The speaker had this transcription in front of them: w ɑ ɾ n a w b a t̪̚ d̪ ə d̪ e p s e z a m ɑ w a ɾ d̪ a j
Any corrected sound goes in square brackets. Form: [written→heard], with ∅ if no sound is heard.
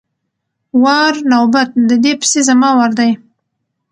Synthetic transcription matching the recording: w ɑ ɾ n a w b a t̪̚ d̪ ə d̪ e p s e z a m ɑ w a ɾ d̪ a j